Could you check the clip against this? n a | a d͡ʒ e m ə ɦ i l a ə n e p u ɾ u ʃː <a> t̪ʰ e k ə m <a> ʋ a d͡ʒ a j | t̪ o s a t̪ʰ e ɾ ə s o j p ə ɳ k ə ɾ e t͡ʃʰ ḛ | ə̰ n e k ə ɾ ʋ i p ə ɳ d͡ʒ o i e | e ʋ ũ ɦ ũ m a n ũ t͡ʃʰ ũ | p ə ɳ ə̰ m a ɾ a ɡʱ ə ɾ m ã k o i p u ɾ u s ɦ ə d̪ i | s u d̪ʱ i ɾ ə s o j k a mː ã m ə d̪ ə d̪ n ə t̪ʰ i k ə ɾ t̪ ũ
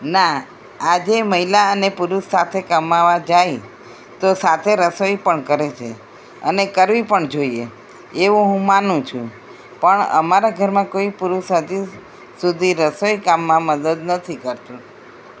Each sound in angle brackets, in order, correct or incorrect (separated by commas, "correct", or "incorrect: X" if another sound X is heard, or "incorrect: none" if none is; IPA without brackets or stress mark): correct, correct